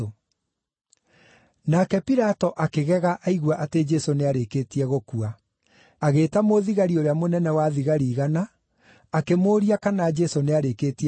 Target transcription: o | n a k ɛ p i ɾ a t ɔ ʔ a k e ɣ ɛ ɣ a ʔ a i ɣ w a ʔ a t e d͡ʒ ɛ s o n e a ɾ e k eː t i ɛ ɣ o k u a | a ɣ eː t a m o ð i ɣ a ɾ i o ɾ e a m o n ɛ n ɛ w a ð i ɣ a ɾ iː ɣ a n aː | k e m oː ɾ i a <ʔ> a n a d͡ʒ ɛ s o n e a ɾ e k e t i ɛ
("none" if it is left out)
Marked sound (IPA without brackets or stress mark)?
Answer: k